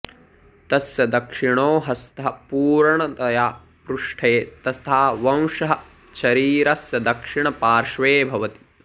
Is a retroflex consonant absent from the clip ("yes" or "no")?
no